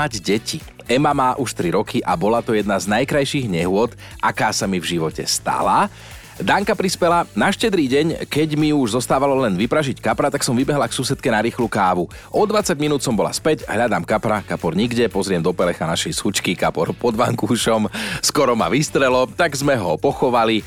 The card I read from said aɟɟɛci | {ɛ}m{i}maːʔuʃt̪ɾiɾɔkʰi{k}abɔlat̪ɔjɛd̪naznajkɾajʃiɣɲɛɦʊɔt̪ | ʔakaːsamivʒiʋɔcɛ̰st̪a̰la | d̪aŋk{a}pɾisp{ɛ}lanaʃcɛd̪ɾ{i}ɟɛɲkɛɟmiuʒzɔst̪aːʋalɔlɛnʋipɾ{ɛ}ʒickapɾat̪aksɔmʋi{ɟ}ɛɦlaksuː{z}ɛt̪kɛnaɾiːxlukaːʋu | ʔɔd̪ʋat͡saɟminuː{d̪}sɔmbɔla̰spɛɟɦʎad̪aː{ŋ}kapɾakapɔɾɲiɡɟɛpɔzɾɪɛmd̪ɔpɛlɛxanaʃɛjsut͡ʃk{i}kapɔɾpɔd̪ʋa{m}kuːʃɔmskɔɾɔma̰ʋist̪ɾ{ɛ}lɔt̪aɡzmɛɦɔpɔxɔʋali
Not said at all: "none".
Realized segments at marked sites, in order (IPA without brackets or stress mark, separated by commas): ɛ, a, ʔ, a, ɛ, iː, a, b, s, t̪, m, i, ŋ, ɛ